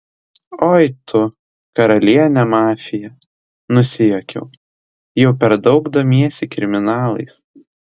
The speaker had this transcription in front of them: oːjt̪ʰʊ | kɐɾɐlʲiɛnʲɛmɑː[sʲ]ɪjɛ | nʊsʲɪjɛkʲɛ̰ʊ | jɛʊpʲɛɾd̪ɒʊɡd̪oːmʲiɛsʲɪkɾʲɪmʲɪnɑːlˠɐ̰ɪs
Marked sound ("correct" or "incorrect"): incorrect